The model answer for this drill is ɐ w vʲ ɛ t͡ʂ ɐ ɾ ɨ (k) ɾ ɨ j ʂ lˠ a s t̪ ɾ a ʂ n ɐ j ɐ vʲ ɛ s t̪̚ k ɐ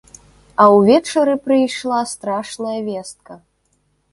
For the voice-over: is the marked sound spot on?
no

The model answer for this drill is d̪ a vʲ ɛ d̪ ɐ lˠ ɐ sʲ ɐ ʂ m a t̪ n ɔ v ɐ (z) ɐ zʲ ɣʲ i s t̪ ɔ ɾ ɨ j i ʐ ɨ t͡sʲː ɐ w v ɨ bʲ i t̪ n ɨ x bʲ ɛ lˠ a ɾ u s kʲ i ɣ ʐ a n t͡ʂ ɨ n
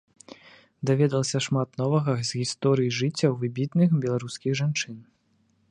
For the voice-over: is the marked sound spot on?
no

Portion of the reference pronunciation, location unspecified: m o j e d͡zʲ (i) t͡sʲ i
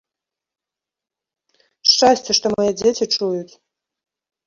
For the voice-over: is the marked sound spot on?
no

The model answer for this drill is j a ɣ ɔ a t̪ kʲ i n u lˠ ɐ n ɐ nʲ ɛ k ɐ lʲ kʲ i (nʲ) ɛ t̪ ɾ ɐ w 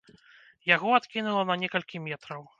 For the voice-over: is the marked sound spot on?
no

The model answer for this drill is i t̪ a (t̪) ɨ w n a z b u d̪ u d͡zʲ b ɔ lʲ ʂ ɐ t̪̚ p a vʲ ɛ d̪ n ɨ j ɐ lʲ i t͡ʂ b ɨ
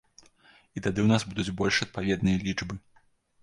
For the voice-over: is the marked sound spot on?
no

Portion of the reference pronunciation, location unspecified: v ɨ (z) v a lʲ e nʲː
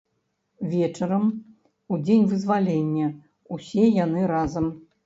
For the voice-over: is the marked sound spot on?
yes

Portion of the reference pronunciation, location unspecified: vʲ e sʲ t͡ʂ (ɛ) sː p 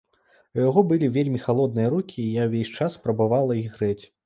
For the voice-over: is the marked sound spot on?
no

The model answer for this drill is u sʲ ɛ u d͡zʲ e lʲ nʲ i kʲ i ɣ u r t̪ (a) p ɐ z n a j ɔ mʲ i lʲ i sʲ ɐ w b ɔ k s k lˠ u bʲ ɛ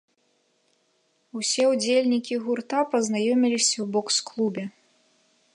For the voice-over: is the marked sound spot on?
yes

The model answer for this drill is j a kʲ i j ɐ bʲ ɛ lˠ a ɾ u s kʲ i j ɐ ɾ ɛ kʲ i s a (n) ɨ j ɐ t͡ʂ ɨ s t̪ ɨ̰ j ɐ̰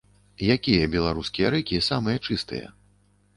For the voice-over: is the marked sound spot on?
no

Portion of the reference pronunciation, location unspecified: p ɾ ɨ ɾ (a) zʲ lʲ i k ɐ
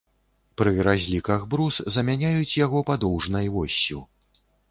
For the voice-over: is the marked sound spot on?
yes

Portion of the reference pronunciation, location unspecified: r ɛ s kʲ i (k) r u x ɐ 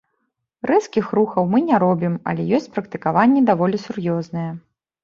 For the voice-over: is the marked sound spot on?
no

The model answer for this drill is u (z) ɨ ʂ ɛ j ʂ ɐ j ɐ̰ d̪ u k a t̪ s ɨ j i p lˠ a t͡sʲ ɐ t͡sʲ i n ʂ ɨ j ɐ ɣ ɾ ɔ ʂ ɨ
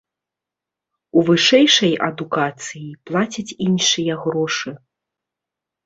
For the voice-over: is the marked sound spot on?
no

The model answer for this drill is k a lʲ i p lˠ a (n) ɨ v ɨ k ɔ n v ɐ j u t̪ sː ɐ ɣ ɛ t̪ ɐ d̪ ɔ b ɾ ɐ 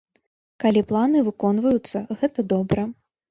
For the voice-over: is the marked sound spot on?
yes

